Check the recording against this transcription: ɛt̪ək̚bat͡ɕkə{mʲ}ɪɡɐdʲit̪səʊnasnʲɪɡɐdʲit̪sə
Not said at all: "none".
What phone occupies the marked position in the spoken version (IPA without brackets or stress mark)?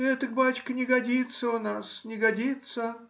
nʲ